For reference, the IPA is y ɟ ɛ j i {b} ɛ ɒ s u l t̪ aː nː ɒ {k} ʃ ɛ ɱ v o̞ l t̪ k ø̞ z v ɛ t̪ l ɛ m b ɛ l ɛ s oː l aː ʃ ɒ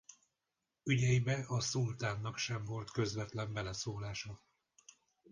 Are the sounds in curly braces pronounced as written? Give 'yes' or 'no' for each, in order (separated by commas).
yes, yes